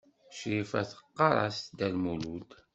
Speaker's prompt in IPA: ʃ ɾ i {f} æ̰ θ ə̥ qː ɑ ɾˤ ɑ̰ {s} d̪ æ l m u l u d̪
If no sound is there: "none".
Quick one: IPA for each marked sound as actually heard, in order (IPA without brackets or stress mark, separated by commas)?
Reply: f, s